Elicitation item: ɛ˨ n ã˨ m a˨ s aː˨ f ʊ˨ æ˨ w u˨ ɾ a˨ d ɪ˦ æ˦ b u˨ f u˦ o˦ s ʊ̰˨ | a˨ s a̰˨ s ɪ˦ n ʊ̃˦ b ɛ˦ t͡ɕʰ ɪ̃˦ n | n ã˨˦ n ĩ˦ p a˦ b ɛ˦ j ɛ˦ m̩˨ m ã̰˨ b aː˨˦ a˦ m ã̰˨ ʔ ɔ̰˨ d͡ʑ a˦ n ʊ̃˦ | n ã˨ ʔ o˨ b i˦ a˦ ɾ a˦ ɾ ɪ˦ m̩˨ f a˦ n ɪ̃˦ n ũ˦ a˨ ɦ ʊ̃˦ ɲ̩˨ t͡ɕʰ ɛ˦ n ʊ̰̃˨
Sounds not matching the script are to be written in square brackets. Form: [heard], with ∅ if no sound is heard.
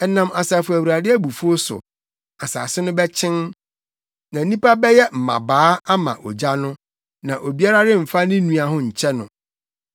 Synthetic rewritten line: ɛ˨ n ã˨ m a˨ s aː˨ f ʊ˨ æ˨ w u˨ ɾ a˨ d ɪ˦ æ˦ b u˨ f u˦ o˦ s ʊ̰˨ | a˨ s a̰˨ s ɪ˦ n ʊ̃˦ b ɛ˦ t͡ɕʰ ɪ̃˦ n | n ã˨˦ n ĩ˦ p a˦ b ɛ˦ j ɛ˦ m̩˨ m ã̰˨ b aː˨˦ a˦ m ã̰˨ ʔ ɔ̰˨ d͡ʑ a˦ n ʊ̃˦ | n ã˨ ʔ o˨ b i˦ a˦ ɾ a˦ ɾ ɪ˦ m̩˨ f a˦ n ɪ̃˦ n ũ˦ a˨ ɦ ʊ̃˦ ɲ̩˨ t͡ɕʰ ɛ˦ n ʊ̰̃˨